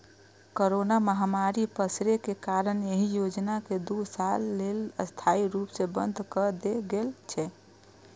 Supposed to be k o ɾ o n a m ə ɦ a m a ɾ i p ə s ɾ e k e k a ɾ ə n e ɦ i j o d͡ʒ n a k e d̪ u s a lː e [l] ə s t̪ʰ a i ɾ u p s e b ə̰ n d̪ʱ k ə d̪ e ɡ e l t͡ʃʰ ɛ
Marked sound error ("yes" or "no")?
no